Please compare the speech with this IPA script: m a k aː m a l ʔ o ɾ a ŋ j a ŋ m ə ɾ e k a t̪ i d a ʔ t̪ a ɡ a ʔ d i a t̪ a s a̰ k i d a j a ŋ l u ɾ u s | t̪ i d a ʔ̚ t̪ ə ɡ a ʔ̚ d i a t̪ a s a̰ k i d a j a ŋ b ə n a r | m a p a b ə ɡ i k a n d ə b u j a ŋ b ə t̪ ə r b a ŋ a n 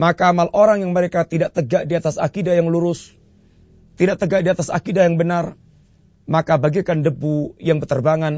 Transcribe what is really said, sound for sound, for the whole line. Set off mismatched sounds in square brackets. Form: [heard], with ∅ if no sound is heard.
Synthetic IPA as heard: m a k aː m a l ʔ o ɾ a ŋ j a ŋ m ə ɾ e k a t̪ i d a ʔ t̪ [ə] ɡ a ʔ d i a t̪ a s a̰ k i d a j a ŋ l u ɾ [ʊ] s | t̪ i d a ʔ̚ t̪ ə ɡ a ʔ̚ d i a t̪ a s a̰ k i d a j a ŋ b ə n a r | m a [k] a b [a] ɡ i k a n d ə b u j a ŋ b ə t̪ ə r b a ŋ a n